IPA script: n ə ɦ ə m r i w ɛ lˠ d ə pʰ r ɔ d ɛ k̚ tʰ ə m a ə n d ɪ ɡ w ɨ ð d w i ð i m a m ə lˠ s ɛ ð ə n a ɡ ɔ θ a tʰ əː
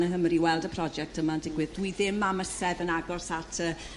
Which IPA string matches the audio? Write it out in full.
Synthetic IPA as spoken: n ə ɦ ə m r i w ɛ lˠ d ə pʰ r ɔ d͡ʒ ɛ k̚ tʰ ə m a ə n d ɪ ɡ w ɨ ð d w i ð ɪ m a m ə s ɛ ð ə n a ɡ ɔ s a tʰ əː